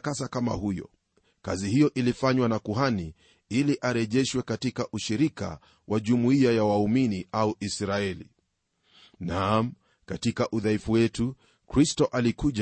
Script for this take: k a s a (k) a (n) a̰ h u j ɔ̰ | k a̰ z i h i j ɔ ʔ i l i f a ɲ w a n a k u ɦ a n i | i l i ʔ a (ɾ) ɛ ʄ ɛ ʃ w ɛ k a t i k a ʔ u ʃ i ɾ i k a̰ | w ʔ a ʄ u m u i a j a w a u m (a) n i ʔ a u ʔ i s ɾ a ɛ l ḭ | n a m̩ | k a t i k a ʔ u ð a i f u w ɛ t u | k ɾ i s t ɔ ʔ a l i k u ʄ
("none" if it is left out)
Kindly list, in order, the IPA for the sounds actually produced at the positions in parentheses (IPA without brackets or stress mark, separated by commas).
k, m, ɾ, i